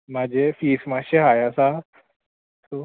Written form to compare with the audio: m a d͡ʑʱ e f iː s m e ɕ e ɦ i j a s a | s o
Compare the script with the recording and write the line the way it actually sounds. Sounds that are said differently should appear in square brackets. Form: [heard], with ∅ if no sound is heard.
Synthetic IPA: m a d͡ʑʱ e f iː s m [a] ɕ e ɦ [a] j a s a | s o